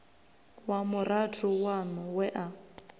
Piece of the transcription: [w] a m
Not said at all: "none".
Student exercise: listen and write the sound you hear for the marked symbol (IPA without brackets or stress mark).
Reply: w